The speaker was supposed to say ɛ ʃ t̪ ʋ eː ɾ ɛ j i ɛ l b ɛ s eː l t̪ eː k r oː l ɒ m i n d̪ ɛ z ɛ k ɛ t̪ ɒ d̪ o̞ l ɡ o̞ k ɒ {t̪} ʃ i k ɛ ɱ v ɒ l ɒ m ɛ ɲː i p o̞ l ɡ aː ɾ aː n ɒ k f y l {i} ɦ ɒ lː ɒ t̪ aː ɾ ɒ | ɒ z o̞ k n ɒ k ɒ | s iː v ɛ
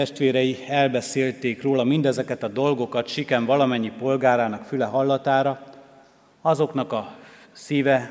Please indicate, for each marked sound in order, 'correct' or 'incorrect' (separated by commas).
correct, incorrect